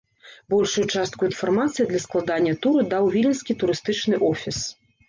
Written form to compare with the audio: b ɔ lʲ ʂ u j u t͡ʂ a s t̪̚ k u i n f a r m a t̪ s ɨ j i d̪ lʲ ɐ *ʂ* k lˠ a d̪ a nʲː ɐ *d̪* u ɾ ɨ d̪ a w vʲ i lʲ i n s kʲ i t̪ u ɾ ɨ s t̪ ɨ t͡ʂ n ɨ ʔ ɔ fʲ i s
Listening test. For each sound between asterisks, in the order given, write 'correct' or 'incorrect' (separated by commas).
incorrect, incorrect